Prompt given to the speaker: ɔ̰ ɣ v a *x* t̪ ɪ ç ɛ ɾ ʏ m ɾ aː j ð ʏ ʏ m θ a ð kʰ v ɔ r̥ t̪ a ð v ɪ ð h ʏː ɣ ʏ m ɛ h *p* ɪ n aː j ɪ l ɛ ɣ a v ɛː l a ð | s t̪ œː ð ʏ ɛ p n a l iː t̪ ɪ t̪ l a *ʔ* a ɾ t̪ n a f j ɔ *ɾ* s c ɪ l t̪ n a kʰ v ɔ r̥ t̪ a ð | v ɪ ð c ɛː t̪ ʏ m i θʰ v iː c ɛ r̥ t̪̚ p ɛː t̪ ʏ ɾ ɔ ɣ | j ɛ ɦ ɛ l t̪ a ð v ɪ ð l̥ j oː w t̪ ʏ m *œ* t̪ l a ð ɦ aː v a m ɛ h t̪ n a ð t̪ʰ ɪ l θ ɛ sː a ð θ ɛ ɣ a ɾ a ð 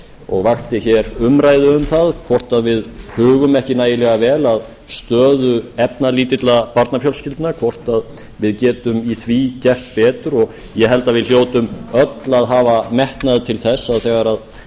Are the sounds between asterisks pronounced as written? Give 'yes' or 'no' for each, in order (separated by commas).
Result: yes, no, no, no, yes